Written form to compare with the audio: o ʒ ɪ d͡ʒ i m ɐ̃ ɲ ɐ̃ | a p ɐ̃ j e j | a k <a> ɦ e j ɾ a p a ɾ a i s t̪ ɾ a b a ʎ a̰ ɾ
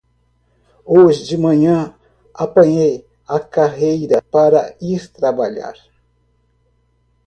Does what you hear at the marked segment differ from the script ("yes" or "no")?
no